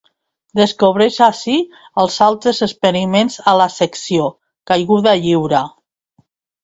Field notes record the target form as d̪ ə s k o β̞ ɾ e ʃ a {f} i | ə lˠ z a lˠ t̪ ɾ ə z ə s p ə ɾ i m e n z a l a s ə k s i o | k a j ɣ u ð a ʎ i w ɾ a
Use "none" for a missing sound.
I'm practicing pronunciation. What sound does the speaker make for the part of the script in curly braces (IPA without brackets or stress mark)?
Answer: s